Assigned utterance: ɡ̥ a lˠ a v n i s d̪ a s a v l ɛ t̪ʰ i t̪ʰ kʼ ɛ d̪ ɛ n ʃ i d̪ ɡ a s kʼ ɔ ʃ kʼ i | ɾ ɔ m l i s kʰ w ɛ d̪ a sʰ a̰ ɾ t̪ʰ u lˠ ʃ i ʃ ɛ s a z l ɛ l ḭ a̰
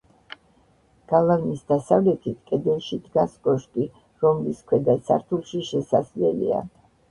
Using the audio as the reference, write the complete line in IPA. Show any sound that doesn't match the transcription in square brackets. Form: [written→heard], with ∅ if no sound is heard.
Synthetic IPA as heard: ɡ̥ a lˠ a v n i s d̪ a s a v l ɛ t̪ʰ i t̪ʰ kʼ ɛ d̪ ɛ n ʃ i d̪ ɡ a s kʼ ɔ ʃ kʼ i | ɾ ɔ m l i s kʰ w ɛ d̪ a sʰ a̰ ɾ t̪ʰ u lˠ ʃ i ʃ ɛ s a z l ɛ l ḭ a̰